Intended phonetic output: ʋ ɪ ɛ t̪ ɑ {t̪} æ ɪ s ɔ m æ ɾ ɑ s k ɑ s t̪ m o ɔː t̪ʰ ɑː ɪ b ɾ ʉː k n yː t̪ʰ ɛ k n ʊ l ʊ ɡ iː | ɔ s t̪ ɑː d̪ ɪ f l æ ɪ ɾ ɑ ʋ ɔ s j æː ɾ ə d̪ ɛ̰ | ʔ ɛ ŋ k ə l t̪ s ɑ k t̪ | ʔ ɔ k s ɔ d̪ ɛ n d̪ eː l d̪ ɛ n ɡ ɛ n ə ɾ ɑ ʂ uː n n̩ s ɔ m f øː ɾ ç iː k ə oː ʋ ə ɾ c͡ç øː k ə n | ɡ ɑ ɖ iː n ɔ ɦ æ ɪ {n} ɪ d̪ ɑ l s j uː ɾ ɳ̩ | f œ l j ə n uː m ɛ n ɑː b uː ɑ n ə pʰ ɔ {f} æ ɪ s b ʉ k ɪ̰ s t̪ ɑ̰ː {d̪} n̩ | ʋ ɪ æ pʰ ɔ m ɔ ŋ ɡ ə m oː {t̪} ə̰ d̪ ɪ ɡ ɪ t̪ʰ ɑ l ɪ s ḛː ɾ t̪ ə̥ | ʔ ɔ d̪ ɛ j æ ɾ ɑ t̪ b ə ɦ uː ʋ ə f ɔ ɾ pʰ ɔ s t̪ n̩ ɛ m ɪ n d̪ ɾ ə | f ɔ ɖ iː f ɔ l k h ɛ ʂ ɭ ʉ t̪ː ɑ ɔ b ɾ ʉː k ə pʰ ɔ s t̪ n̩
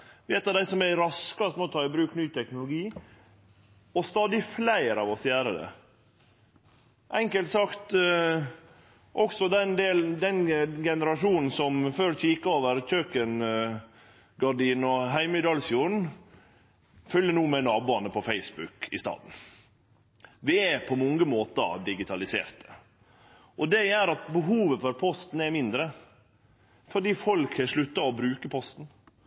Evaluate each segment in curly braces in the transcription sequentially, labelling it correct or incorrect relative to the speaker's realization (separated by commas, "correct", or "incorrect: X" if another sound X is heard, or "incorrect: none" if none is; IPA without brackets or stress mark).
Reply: incorrect: d̪, incorrect: m, correct, correct, correct